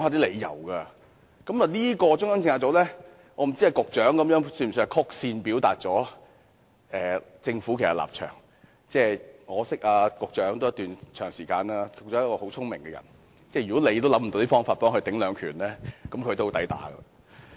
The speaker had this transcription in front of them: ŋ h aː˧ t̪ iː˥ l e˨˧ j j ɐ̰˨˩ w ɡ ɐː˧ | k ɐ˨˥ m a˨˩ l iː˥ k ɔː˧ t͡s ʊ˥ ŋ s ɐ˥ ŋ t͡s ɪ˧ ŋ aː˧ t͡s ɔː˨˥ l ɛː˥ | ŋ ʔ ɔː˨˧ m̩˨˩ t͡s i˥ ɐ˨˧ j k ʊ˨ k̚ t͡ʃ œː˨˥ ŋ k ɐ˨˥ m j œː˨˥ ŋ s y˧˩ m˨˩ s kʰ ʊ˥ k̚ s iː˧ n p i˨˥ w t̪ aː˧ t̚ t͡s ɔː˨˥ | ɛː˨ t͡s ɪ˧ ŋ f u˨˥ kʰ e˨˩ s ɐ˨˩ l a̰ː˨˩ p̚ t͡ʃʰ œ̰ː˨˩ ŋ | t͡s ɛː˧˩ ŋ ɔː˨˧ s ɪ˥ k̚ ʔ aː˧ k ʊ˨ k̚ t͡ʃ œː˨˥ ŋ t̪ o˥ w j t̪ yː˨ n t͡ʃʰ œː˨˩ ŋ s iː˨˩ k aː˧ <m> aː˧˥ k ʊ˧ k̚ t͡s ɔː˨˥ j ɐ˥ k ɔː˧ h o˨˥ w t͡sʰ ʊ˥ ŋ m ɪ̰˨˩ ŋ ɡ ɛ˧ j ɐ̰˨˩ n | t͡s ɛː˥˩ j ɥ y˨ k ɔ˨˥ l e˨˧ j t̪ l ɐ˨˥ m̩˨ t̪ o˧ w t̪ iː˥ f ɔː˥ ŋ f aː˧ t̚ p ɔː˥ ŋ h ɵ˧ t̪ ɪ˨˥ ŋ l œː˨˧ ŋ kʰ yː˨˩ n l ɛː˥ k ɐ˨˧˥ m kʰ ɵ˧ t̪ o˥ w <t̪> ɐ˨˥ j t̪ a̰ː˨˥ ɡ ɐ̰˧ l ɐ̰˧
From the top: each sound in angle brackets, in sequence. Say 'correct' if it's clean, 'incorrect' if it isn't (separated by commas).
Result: incorrect, correct